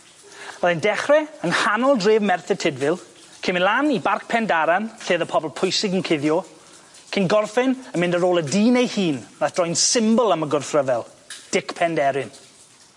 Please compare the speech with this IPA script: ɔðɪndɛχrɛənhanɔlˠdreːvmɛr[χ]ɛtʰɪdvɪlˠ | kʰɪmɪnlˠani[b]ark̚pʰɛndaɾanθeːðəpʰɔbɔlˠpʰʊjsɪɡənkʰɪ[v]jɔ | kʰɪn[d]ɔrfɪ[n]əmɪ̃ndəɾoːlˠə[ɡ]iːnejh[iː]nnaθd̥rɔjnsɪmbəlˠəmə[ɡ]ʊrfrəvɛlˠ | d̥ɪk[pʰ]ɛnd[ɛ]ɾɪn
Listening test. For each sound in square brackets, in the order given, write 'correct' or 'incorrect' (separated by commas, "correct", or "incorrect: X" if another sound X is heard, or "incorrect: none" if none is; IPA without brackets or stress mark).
incorrect: θ, correct, incorrect: ð, incorrect: ɡ, correct, incorrect: d, correct, correct, correct, correct